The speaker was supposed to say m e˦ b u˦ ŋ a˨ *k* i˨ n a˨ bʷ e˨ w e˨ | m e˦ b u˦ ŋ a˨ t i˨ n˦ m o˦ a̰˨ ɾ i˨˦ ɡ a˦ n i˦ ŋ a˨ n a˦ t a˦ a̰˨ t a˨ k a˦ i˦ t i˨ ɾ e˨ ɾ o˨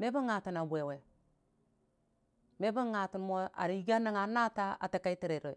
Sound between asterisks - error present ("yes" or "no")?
yes